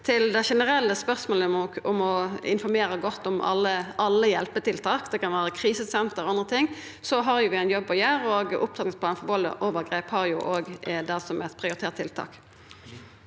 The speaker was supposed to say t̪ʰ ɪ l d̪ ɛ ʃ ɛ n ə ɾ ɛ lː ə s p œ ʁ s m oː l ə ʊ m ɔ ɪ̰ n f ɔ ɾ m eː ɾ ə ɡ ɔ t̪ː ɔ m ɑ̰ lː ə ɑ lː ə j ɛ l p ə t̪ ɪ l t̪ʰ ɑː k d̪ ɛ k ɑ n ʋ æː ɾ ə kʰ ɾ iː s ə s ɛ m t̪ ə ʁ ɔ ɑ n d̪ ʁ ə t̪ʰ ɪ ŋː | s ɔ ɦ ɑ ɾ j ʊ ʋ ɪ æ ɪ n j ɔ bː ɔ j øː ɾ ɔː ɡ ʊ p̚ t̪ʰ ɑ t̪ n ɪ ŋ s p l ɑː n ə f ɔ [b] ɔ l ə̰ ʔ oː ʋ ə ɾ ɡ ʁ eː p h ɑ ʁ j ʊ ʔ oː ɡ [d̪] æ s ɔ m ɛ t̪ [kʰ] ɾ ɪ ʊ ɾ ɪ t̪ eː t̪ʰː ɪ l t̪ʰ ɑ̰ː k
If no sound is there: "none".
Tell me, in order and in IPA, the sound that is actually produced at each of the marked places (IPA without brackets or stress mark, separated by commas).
b, d̪, pʰ